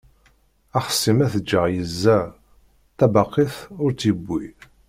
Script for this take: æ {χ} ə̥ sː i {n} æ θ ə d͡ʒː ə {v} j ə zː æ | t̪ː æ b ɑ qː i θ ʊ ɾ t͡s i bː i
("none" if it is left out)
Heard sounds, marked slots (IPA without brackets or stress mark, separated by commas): χ, m, ʁ